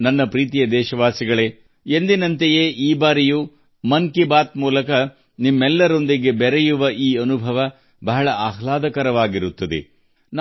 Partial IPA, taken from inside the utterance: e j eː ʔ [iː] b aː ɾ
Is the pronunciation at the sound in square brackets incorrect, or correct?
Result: correct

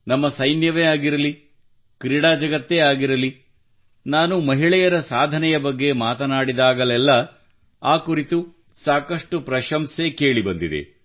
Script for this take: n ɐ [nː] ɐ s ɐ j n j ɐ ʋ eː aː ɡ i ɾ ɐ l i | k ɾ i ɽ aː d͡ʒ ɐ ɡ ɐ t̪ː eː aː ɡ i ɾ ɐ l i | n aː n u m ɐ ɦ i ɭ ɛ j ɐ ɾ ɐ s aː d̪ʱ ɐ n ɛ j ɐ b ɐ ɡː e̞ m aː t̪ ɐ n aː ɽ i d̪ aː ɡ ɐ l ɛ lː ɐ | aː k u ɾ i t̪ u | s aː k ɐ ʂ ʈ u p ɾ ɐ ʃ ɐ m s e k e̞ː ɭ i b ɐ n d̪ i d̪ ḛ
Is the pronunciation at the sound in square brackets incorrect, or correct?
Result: incorrect: mː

